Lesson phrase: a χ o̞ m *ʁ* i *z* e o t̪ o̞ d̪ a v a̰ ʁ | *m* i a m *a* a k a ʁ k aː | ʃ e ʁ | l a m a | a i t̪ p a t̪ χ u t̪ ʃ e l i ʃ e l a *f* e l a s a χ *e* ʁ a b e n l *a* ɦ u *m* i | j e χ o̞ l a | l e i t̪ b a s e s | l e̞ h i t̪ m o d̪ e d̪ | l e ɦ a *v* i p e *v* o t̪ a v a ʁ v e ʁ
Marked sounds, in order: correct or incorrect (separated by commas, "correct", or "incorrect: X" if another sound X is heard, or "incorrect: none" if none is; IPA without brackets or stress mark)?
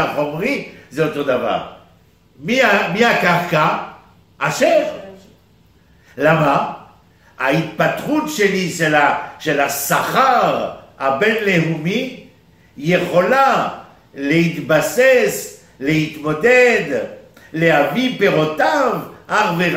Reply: correct, correct, correct, incorrect: i, incorrect: ʃ, incorrect: a, incorrect: e, correct, correct, incorrect: ʁ